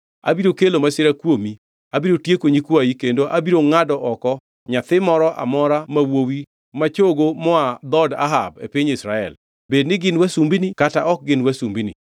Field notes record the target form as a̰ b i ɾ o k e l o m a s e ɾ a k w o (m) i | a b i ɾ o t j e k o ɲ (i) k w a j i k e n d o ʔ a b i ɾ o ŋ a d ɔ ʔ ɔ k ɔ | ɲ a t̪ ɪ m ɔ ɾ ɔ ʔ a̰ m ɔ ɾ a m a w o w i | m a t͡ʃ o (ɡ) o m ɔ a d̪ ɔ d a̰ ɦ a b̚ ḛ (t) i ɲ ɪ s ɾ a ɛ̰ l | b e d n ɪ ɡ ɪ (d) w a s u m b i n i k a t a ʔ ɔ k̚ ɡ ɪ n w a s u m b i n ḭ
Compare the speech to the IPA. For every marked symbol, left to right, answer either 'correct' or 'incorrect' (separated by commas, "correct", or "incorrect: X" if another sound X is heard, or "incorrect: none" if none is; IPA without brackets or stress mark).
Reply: correct, correct, correct, incorrect: p, incorrect: n